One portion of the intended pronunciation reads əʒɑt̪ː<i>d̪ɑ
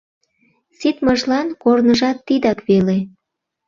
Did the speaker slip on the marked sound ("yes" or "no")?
no